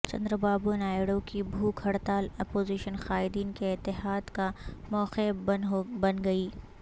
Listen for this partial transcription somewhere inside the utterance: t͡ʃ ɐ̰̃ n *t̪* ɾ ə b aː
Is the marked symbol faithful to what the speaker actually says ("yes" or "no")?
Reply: no